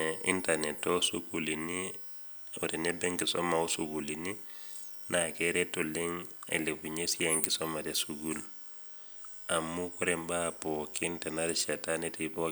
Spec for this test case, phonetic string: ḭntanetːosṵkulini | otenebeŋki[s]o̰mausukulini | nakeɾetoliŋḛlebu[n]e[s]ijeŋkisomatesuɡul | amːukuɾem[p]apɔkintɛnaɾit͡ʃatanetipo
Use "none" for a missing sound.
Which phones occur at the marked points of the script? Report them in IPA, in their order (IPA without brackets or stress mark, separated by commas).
s, ɲ, s, b